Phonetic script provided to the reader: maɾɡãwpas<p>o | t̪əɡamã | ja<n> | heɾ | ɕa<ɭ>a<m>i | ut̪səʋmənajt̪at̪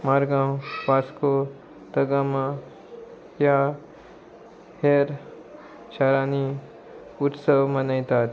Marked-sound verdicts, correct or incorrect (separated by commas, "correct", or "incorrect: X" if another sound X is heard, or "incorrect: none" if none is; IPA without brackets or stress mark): incorrect: k, incorrect: none, incorrect: ɾ, incorrect: n